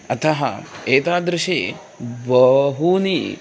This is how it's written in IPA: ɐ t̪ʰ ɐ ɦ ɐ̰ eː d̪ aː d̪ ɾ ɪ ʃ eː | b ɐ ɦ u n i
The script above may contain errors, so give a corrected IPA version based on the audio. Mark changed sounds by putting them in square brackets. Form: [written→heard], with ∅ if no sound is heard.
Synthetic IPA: ɐ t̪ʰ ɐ ɦ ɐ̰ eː [d̪→t̪] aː d̪ ɾ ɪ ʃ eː | b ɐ ɦ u n i

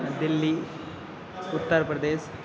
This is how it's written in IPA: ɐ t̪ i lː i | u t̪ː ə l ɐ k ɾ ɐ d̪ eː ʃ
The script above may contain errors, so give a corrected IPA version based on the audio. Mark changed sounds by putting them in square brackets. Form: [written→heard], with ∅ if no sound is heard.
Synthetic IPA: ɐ [t̪→d̪] i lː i | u t̪ː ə [l→ɾ] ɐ [k→p] ɾ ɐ d̪ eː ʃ

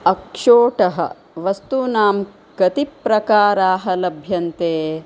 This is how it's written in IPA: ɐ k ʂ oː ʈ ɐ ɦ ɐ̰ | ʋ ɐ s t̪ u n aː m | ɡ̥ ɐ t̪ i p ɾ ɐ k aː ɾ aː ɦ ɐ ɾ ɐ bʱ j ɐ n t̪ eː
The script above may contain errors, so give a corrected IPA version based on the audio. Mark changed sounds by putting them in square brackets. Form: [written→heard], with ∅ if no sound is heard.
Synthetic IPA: ɐ k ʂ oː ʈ ɐ ɦ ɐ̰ | ʋ ɐ s t̪ u n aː m | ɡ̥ ɐ t̪ i p ɾ ɐ k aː ɾ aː ɦ ɐ [ɾ→l] ɐ bʱ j ɐ n t̪ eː

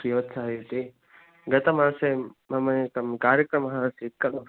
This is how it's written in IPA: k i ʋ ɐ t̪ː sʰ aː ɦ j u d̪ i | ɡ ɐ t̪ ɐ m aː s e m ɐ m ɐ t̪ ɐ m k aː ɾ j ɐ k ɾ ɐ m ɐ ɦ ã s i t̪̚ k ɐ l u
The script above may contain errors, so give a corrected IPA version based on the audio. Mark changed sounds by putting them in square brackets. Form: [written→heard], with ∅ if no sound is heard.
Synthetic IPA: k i ʋ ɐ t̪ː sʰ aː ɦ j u [d̪→t̪] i | ɡ ɐ t̪ ɐ m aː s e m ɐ m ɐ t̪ ɐ m k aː ɾ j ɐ k ɾ ɐ m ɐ ɦ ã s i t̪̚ k ɐ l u

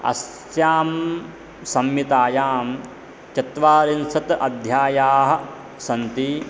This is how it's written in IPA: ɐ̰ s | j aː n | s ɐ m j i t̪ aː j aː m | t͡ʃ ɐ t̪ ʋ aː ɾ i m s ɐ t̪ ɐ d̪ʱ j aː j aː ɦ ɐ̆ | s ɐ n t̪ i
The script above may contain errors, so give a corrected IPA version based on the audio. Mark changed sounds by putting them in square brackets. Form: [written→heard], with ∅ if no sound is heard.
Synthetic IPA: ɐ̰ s | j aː [n→m] | s ɐ m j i t̪ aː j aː m | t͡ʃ ɐ t̪ ʋ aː ɾ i [m→n] s ɐ t̪ ɐ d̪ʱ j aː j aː ɦ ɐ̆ | s ɐ n t̪ i

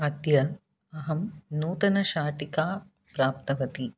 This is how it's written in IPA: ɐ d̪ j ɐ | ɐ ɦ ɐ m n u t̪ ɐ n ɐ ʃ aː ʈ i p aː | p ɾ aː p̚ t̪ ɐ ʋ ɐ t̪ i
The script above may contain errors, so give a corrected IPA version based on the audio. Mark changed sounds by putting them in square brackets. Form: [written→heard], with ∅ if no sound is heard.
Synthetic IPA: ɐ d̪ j ɐ | ɐ ɦ ɐ m n [u→uː] t̪ ɐ n ɐ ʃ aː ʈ i [p→k] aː | p ɾ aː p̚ t̪ ɐ ʋ ɐ t̪ i

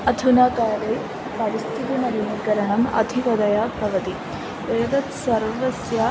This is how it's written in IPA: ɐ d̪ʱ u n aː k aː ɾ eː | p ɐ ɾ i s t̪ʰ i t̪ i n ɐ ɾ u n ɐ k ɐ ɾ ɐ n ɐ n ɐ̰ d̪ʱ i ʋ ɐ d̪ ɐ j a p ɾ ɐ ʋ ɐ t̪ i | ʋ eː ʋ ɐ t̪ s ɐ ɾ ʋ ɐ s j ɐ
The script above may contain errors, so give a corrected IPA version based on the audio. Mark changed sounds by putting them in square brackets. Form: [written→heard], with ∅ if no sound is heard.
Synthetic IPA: ɐ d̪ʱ u n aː k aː ɾ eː | p ɐ ɾ i s t̪ʰ i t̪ i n ɐ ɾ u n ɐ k ɐ ɾ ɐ [n→ɳ] ɐ [n→m] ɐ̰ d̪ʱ i ʋ ɐ d̪ ɐ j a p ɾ ɐ ʋ ɐ t̪ i | ʋ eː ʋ ɐ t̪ s ɐ ɾ ʋ ɐ s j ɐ

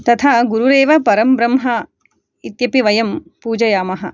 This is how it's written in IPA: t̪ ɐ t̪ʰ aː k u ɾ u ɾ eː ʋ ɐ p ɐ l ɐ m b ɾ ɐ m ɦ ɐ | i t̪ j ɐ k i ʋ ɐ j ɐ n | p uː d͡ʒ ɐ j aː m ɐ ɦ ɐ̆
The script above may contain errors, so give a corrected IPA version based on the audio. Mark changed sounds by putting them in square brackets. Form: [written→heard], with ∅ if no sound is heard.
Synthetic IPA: t̪ ɐ t̪ʰ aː [k→ɡ] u ɾ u ɾ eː ʋ ɐ p ɐ [l→ɾ] ɐ m b ɾ ɐ m ɦ ɐ | i t̪ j ɐ [k→p] i ʋ ɐ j ɐ [n→m] | p uː d͡ʒ ɐ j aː m ɐ ɦ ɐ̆

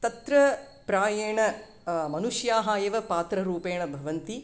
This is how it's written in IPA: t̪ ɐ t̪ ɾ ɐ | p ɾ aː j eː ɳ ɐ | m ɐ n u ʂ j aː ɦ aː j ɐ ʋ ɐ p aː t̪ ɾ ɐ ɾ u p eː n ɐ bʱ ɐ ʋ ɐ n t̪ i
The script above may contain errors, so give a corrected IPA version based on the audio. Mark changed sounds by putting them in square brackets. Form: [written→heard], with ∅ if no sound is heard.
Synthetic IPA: t̪ ɐ t̪ ɾ ɐ | p ɾ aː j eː ɳ ɐ | m ɐ n u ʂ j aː ɦ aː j ɐ ʋ ɐ p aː t̪ ɾ ɐ ɾ [u→uː] p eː [n→ɳ] ɐ bʱ ɐ ʋ ɐ n t̪ i

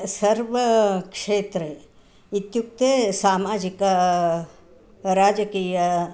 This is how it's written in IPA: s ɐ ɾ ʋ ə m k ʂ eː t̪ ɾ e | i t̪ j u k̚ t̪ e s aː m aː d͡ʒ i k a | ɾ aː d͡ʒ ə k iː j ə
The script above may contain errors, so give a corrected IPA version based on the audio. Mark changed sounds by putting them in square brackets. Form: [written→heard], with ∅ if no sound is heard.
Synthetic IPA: s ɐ ɾ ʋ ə [m→∅] k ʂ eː t̪ ɾ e | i t̪ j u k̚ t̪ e s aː m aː d͡ʒ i k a | ɾ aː d͡ʒ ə k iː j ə

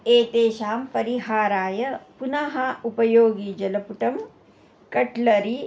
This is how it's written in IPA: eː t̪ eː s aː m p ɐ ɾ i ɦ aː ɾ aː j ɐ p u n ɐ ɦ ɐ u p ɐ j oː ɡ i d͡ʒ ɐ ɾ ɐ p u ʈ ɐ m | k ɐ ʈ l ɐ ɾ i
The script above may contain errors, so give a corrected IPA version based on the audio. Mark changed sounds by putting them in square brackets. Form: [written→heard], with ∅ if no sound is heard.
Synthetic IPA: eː t̪ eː [s→ʃ] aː m p ɐ ɾ i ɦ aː ɾ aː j ɐ p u n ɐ ɦ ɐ u p ɐ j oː ɡ i d͡ʒ ɐ [ɾ→l] ɐ p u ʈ ɐ m | k ɐ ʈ l ɐ ɾ i

